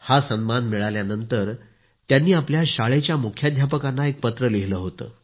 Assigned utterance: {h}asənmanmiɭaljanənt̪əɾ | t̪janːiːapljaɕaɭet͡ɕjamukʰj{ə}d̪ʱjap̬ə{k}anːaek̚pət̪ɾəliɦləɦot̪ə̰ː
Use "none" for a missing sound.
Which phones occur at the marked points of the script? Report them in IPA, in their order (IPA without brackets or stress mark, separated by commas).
h, a, k